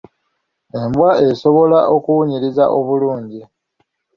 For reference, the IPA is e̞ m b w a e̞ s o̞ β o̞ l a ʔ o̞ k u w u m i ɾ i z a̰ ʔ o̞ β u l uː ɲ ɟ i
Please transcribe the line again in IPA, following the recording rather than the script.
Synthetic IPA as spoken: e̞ m b w a e̞ s o̞ β o̞ l a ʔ o̞ k u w u ɲ i ɾ i z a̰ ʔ o̞ β u l uː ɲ ɟ i

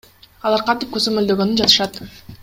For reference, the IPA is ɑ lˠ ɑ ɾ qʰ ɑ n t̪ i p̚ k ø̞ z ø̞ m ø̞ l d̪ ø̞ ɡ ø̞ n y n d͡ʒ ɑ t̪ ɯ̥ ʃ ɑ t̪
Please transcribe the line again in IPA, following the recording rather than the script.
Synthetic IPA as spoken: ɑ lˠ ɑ ɾ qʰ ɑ n t̪ i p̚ k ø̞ z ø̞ m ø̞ l d̪ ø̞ ɡ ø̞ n y n d͡ʒ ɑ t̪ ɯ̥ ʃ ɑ t̪

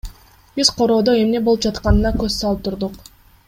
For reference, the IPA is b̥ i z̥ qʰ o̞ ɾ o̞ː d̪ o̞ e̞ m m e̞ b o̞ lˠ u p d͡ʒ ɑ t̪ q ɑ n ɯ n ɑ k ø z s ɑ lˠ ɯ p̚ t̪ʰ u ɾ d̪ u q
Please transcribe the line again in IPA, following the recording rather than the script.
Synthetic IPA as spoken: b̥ i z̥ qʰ o̞ ɾ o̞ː d̪ o̞ e̞ m n e̞ b o̞ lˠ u p d͡ʒ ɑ t̪ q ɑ n ɯ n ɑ k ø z s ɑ lˠ ɯ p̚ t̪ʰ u ɾ d̪ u q

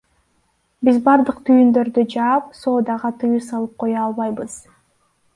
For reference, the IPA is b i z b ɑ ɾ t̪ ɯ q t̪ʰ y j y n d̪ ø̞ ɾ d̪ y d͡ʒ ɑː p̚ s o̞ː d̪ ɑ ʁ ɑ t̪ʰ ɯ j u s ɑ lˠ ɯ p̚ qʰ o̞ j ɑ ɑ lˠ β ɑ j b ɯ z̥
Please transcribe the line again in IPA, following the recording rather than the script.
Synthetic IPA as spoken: b i z b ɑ ɾ d̪ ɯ q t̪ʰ y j y n d̪ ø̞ ɾ d̪ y d͡ʒ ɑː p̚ s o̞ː d̪ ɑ ʁ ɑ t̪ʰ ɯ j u s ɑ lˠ ɯ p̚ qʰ o̞ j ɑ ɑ lˠ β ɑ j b ɯ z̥

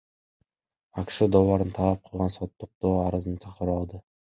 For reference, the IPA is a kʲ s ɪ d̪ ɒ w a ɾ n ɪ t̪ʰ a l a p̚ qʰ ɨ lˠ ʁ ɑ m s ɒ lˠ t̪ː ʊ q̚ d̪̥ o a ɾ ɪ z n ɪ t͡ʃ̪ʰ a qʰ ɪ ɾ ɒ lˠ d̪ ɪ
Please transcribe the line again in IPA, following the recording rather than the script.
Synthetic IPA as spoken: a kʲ ʃ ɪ d̪ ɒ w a ɾ n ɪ t̪ʰ a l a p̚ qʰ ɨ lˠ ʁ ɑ n s ɒ t̪ː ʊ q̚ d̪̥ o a ɾ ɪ z n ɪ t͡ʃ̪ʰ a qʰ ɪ ɾ ɒ lˠ d̪ ɪ

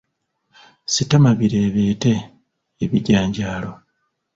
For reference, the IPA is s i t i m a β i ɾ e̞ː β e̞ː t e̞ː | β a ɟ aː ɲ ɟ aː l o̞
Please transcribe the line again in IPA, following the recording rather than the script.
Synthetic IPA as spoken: s i t a m a β i ɾ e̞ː β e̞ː t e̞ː | β i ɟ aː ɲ ɟ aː l o̞

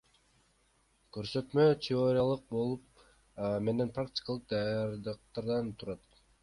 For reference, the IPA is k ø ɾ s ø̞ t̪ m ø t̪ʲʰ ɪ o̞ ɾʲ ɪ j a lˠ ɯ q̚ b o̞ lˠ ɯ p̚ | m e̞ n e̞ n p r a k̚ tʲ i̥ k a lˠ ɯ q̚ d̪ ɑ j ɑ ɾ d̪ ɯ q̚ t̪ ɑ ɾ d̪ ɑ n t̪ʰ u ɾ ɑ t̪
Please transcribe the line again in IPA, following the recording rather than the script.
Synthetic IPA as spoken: k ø ɾ s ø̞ t̪ m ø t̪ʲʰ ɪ o̞ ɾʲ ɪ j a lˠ ɯ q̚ b o̞ lˠ u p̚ | m e̞ n e̞ n p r a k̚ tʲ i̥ k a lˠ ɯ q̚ d̪ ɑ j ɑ ɾ d̪ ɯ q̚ t̪ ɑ ɾ d̪ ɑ n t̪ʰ u ɾ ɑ t̪

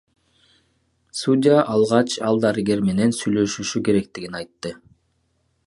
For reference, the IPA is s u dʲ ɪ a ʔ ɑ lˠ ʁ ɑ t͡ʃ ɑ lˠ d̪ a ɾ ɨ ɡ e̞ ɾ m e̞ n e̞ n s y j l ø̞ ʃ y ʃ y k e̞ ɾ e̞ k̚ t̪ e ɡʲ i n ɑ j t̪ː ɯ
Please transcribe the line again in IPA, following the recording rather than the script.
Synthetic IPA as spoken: s u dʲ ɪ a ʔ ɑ lˠ ʁ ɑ t͡ʃ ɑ lˠ d̪ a ɾ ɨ ɡ e̞ ɾ m e̞ n e̞ n s y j l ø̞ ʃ y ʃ y k e̞ ɾ e̞ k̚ t̪ i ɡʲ i n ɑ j t̪ː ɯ

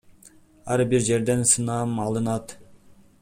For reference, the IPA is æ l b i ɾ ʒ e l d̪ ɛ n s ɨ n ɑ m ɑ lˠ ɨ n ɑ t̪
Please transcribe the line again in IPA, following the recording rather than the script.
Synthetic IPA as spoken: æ ɾ b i ɾ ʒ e ɾ d̪ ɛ n s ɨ n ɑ m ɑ lˠ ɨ n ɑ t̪

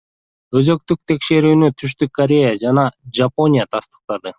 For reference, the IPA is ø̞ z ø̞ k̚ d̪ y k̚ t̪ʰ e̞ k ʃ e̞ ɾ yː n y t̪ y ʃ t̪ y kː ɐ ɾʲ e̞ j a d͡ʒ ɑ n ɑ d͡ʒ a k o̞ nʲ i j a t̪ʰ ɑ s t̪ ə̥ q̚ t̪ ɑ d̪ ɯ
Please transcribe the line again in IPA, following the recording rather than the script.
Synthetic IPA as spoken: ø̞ z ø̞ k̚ t̪ y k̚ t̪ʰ e̞ k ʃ e̞ ɾ yː n y t̪ʰ y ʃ t̪ y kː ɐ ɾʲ e̞ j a d͡ʒ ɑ n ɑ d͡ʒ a p o̞ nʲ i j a t̪ʰ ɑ s t̪ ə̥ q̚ t̪ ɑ d̪ ɯ

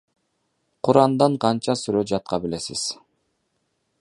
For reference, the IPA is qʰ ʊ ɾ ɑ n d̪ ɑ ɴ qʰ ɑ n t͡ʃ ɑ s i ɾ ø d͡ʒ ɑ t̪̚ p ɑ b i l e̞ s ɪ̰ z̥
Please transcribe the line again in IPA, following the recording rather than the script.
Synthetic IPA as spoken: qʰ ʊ ɾ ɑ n d̪ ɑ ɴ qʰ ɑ n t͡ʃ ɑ s y ɾ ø d͡ʒ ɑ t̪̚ q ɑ b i l e̞ s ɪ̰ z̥

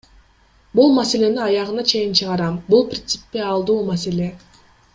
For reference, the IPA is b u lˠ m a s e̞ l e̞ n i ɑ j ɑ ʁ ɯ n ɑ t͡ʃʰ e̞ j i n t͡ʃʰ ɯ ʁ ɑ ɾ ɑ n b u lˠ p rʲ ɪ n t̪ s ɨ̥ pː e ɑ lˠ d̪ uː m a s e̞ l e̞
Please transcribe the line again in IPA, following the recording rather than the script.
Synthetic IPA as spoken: b u lˠ m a s e̞ l e̞ n i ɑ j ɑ ʁ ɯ n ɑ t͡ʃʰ e̞ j i n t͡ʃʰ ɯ ʁ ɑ ɾ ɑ m b u lˠ p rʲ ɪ n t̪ s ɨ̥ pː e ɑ lˠ d̪ uː m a s e̞ l e̞

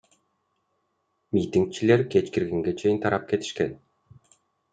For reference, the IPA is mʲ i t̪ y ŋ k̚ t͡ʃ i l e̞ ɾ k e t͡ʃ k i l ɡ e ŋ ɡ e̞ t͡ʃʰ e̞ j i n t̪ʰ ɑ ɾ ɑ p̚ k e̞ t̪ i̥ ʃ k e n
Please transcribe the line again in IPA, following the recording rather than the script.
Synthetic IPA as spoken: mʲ i t̪ i ŋ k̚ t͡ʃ i l e̞ ɾ k e t͡ʃ k i ɾ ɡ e ŋ ɡ e̞ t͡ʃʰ e̞ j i n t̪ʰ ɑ ɾ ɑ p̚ k e̞ t̪ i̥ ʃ k e n

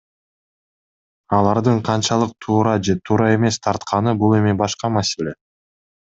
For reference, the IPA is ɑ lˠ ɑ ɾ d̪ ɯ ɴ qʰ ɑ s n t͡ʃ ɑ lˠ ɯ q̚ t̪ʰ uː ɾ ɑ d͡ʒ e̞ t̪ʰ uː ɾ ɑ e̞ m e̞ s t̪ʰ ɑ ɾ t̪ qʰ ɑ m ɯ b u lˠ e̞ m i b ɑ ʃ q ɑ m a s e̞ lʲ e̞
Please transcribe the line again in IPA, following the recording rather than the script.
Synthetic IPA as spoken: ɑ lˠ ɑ ɾ d̪ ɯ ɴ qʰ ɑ n t͡ʃ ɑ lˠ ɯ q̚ t̪ʰ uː ɾ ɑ d͡ʒ e̞ t̪ʰ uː ɾ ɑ e̞ m e̞ s t̪ʰ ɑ ɾ t̪ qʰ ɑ n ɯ b u lˠ e̞ m i b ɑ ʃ q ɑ m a s e̞ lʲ e̞

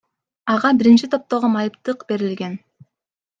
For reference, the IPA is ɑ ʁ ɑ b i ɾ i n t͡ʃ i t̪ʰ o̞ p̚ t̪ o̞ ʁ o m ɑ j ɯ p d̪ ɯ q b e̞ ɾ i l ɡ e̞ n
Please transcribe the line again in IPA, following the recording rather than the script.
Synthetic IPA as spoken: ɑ ʁ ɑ b i ɾ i n t͡ʃ i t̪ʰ o̞ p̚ t̪ o̞ ʁ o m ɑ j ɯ p t̪ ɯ q b e̞ ɾ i l ɡ e̞ n

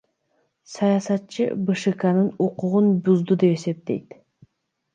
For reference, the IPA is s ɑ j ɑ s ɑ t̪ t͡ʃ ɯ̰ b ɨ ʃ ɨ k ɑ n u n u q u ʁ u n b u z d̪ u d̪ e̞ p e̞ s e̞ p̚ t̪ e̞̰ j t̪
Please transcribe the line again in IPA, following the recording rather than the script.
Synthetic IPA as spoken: s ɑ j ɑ s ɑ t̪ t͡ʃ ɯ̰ b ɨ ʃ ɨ k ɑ n ɯ n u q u ʁ u n b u z d̪ u d̪ e̞ p e̞ s e̞ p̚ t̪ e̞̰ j t̪

